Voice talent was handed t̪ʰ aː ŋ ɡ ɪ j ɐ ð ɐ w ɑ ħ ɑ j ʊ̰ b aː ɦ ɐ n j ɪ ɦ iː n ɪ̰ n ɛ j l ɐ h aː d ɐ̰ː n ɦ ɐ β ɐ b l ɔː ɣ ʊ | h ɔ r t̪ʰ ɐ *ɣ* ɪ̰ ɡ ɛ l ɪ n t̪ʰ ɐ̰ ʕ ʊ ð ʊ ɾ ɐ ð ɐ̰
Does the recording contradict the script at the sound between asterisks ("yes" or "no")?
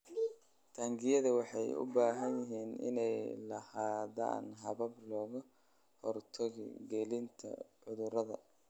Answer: no